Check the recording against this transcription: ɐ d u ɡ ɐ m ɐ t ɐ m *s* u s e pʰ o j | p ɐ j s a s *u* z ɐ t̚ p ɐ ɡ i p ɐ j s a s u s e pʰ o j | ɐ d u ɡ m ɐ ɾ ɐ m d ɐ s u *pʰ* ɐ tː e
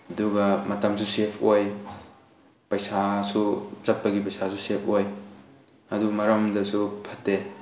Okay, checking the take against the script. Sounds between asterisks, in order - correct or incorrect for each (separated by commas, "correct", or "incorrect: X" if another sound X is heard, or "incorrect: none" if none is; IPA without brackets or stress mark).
correct, correct, correct